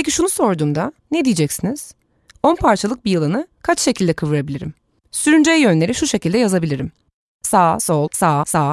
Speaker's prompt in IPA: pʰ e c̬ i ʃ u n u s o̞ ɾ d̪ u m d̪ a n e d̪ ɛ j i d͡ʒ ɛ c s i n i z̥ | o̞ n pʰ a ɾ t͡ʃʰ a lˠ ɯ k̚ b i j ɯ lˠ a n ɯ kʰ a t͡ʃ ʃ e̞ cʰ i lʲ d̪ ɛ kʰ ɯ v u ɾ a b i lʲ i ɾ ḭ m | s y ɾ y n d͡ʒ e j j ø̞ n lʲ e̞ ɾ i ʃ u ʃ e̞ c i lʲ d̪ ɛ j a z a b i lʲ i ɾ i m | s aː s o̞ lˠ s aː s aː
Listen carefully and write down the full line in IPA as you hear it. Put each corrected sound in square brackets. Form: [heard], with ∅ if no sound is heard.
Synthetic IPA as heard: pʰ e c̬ i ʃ u n u s o̞ ɾ d̪ [uː] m d̪ a n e d̪ [i] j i d͡ʒ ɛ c s i n i z̥ | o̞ n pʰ a ɾ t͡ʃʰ a lˠ ɯ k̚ b i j ɯ lˠ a n ɯ kʰ a t͡ʃ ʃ e̞ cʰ i lʲ d̪ ɛ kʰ ɯ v [ɯ] ɾ a b i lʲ i ɾ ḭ m | s y ɾ y n d͡ʒ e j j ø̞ n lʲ e̞ ɾ i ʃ u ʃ e̞ c i lʲ d̪ ɛ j a z a b i lʲ i ɾ i m | s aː s o̞ lˠ s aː s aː